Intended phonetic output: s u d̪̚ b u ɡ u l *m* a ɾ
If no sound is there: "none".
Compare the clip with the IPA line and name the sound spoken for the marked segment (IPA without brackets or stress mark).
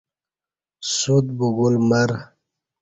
m